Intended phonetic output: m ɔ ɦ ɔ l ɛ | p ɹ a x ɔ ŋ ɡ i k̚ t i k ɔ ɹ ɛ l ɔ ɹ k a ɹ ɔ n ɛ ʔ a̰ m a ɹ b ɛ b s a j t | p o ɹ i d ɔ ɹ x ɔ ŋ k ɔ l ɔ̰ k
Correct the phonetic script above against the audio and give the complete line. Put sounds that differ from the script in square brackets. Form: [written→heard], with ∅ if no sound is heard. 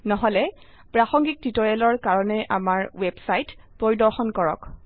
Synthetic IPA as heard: [m→n] ɔ ɦ ɔ l ɛ | p ɹ a x ɔ ŋ ɡ i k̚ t i [k→t] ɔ ɹ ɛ l ɔ ɹ k a ɹ ɔ n ɛ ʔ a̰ m a ɹ [b→w] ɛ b s a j t | p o ɹ i d ɔ ɹ x ɔ [ŋ→n] k ɔ [l→ɹ] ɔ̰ k